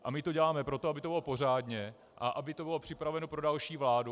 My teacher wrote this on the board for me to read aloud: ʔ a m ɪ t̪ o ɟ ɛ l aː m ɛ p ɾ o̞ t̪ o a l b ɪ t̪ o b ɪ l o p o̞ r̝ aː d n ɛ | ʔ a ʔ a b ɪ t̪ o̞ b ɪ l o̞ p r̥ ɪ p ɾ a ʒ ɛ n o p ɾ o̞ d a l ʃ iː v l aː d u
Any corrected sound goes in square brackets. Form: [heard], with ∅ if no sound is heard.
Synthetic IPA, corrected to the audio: ʔ a m ɪ t̪ o ɟ ɛ l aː m ɛ p ɾ o̞ t̪ o a [∅] b ɪ t̪ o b ɪ l o p o̞ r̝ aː d [ɲ] ɛ | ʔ a ʔ a b ɪ t̪ o̞ b ɪ l o̞ p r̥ ɪ p ɾ a [v] ɛ n o p ɾ o̞ d a l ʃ iː v l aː d u